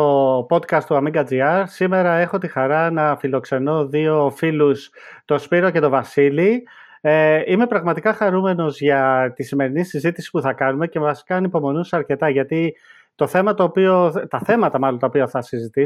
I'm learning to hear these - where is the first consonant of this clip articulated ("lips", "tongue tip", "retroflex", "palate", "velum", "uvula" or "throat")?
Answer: lips